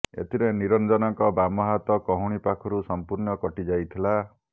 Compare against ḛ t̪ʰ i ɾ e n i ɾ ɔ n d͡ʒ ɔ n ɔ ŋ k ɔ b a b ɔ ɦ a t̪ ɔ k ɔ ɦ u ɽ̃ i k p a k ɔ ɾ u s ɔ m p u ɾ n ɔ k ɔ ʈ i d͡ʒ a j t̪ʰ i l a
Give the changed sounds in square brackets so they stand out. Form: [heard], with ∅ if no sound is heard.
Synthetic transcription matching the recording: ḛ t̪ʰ i ɾ e n i ɾ ɔ n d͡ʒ ɔ n ɔ ŋ k ɔ b a [m] ɔ ɦ a t̪ ɔ k ɔ ɦ u ɽ̃ i [∅] p a [kʰ] ɔ ɾ u s ɔ m p u ɾ n ɔ k ɔ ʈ i d͡ʒ a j t̪ʰ i l a